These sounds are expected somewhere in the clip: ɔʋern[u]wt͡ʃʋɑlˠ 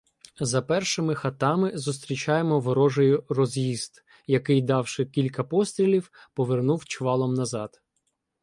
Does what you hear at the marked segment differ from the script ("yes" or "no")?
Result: no